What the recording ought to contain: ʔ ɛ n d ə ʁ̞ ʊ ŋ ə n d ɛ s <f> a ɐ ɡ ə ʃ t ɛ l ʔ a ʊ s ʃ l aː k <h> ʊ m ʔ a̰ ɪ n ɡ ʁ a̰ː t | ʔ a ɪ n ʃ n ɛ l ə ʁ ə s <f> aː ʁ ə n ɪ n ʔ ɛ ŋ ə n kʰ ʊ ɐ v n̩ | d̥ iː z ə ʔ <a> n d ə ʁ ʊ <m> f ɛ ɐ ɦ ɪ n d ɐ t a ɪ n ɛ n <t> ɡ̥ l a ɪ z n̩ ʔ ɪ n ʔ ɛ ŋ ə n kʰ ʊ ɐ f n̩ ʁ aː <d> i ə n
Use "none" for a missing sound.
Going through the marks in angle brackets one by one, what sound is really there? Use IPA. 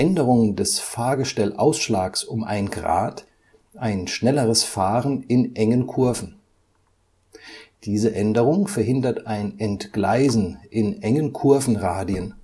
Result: f, s, f, ɛ, ŋ, t, d

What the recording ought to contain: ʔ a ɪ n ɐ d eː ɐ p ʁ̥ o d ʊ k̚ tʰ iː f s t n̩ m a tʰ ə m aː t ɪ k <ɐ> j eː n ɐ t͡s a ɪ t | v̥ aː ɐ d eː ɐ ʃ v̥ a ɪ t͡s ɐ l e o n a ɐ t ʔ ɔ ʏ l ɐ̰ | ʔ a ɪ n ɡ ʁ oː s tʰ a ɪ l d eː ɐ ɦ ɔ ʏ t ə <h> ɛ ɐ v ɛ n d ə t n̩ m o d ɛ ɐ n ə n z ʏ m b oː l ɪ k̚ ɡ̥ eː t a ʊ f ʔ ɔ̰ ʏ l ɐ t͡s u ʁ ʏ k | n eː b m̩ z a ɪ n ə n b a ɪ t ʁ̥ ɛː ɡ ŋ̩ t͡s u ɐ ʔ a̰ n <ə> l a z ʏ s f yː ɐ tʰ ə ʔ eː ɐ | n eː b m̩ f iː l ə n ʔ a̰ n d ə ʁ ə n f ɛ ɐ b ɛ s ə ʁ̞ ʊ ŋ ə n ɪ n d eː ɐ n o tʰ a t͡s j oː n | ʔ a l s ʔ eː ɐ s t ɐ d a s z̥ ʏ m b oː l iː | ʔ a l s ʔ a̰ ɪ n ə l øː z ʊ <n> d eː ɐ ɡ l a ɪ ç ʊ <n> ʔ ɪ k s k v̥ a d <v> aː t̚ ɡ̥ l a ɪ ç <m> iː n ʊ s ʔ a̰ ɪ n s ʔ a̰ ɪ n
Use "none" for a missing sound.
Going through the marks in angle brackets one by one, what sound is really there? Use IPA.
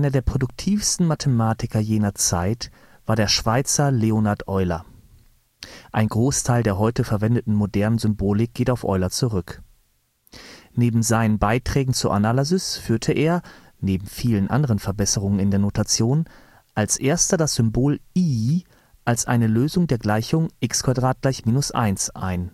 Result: ɐ, f, a, ŋ, ŋ, ʁ, m

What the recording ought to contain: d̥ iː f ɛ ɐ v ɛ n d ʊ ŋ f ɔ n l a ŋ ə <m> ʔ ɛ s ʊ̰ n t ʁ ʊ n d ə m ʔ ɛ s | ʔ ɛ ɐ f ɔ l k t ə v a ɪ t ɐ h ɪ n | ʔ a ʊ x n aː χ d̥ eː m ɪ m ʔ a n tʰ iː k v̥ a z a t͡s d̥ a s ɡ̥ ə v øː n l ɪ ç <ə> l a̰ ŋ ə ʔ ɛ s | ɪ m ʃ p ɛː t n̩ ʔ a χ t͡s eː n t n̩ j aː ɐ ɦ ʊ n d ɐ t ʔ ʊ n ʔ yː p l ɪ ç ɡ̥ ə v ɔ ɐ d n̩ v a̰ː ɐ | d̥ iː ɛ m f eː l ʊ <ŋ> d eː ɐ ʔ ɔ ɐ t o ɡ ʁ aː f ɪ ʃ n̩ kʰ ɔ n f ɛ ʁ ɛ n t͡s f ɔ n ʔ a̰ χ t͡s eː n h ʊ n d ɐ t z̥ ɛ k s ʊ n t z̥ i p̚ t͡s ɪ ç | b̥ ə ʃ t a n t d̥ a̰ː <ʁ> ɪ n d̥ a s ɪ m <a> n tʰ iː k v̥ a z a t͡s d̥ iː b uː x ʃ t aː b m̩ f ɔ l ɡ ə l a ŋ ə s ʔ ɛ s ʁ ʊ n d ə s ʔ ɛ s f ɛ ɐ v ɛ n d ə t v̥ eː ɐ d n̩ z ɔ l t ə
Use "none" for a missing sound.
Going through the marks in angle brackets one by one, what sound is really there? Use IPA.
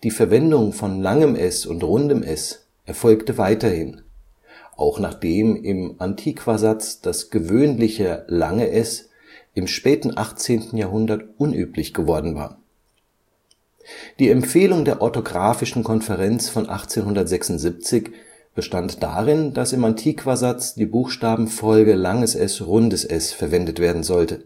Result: m, ə, ŋ, ʁ, a

